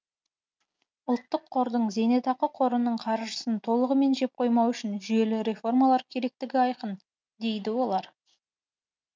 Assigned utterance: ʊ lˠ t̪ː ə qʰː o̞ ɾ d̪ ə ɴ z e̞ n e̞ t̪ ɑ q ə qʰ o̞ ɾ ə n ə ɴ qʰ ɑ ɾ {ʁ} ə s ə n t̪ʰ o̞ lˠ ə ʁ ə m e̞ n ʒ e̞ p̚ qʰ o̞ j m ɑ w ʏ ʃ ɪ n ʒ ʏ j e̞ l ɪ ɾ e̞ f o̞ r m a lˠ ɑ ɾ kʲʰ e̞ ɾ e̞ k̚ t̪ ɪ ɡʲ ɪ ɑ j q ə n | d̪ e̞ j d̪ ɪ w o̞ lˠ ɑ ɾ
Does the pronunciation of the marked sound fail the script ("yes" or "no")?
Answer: yes